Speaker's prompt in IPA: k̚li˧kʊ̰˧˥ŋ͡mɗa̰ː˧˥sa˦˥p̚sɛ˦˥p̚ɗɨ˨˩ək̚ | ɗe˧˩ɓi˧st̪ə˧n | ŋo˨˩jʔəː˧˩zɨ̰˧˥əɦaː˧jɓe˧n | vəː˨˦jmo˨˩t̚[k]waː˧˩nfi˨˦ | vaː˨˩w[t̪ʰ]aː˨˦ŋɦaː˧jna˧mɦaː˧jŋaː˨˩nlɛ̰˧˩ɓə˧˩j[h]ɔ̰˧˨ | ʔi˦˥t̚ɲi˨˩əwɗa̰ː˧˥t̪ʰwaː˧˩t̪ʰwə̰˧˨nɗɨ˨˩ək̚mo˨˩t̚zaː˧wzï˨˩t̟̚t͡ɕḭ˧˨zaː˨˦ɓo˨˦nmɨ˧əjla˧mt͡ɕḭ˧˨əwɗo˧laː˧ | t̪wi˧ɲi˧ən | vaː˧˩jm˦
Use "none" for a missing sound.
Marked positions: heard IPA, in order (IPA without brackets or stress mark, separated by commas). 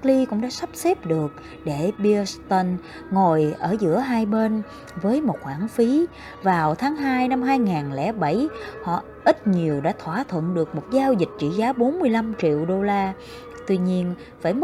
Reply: x, t̪ʰ, h